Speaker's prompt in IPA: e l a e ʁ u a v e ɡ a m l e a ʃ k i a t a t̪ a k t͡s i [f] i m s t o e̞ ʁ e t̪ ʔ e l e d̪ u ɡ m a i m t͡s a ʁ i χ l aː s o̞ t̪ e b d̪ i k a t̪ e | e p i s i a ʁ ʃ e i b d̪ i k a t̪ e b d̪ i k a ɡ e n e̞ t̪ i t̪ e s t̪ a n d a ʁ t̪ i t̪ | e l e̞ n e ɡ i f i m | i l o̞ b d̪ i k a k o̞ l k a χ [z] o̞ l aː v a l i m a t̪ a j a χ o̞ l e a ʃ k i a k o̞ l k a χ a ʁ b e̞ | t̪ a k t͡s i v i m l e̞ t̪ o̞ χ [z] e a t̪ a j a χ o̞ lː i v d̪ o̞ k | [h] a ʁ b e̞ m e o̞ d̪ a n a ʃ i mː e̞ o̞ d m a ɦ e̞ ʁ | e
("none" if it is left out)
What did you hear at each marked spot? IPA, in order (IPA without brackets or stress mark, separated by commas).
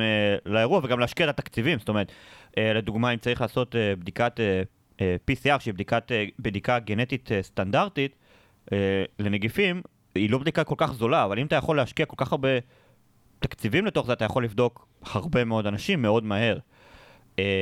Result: v, z, z, h